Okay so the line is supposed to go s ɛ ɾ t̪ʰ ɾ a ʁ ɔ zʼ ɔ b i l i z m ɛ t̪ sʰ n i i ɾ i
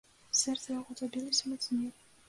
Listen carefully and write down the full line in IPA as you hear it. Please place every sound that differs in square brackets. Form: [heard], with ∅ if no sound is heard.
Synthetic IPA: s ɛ ɾ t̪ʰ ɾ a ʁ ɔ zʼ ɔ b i l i [s] m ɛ t̪ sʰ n i [ɛ] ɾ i